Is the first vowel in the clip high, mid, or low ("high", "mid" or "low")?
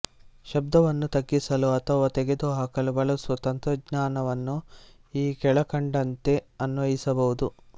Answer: low